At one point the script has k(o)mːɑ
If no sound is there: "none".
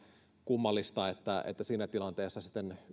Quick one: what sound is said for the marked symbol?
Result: u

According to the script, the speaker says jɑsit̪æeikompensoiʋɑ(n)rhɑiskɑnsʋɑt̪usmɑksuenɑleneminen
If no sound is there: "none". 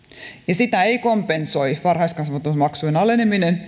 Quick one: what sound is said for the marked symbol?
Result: none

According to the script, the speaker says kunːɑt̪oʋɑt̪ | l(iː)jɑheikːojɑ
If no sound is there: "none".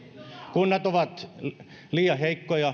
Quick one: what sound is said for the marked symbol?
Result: iː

